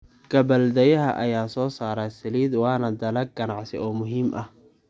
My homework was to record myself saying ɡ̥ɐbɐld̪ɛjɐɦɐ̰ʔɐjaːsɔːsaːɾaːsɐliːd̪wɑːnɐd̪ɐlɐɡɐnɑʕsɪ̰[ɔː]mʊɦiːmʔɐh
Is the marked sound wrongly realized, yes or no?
no